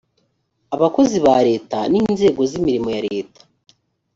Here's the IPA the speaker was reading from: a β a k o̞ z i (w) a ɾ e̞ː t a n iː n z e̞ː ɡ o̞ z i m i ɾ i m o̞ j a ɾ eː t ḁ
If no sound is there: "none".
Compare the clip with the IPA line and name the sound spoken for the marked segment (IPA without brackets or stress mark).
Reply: β